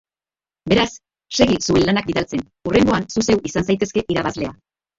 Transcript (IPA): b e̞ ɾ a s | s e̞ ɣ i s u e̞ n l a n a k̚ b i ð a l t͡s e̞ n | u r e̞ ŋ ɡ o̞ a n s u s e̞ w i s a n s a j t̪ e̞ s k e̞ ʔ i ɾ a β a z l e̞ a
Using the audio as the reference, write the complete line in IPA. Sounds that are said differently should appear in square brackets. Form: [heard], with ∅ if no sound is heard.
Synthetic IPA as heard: b e̞ ɾ a s | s e̞ ɣ i s u e̞ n l a n a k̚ b i ð a l t͡s e̞ n | u r e̞ ŋ ɡ o̞ a n s u s e̞ w i s a n s a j t̪ e̞ s k e̞ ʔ i ɾ a β a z l e̞ a